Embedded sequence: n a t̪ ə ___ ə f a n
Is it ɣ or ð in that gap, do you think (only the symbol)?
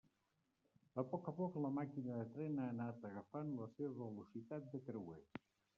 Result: ɣ